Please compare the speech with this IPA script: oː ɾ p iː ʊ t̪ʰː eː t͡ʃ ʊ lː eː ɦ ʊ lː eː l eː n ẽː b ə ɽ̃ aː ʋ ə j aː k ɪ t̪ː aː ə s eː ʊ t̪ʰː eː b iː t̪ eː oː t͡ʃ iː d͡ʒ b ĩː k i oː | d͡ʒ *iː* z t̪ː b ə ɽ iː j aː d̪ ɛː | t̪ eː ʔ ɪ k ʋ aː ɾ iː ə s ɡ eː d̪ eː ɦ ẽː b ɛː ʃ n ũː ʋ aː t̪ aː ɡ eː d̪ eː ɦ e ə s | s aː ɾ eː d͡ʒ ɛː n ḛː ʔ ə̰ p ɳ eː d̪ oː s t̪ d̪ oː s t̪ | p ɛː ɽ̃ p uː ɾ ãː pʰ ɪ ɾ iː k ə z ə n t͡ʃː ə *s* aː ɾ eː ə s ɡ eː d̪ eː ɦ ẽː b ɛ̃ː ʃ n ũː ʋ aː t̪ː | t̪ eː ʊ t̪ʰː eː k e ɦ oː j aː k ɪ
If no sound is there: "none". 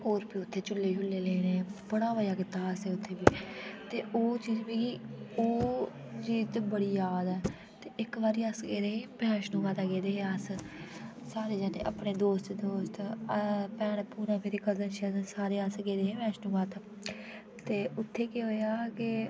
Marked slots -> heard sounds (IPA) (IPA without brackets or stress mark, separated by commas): iː, s